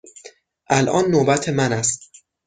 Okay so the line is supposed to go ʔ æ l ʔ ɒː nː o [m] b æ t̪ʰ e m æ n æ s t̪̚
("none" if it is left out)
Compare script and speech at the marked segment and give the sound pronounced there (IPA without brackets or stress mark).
none